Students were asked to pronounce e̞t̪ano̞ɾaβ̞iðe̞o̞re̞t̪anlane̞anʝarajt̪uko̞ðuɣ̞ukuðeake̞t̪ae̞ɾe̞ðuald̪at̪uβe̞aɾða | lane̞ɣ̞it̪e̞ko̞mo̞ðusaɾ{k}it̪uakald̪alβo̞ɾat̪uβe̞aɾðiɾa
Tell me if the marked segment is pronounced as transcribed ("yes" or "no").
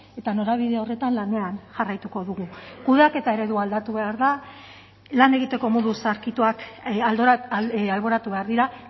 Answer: yes